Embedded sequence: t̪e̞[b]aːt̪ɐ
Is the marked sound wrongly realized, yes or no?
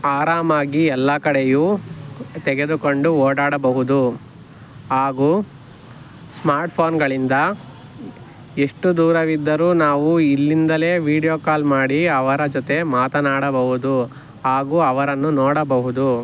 yes